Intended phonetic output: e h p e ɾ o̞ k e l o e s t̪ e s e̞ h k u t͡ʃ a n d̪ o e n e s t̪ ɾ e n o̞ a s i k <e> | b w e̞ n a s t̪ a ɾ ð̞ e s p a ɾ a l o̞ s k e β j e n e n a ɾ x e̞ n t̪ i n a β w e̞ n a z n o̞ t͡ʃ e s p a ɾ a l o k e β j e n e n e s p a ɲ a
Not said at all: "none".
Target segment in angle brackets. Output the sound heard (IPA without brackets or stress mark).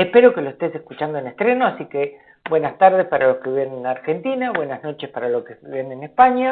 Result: e